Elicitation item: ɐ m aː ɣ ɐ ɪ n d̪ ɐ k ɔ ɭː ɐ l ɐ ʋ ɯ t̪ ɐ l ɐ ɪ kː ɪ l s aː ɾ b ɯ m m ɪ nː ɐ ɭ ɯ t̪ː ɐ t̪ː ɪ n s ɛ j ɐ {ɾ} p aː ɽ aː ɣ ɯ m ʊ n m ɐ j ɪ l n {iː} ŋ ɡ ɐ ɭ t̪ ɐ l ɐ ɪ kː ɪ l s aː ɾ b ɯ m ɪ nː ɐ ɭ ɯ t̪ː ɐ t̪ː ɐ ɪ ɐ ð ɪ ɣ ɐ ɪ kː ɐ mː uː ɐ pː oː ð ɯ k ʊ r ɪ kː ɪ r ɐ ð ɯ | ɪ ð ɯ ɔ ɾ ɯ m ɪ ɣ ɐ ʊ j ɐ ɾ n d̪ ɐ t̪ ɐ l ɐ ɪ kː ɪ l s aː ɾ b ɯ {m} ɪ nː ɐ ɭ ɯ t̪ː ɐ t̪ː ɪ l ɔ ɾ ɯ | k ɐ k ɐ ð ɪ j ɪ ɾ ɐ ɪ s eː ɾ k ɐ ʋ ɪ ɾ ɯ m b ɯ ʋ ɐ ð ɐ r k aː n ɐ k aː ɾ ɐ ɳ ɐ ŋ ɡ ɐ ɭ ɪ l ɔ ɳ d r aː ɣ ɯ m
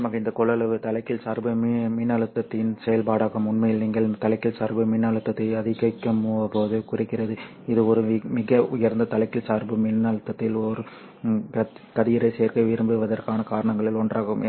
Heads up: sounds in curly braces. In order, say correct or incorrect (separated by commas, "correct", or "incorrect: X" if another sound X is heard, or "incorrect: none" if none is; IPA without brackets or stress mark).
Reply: incorrect: l, correct, correct